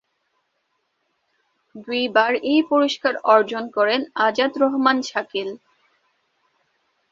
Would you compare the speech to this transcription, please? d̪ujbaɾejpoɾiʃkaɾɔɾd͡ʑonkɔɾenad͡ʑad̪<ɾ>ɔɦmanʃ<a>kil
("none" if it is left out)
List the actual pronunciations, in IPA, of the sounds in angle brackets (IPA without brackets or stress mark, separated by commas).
ɾ, a